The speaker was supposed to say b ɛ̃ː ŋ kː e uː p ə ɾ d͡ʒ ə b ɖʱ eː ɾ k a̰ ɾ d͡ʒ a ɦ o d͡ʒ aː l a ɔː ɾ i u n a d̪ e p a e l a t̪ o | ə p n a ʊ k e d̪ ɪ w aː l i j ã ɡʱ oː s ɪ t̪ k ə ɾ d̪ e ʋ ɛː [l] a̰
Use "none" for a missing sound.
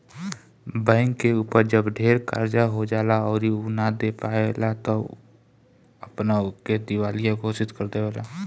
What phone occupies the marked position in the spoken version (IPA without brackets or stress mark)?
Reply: l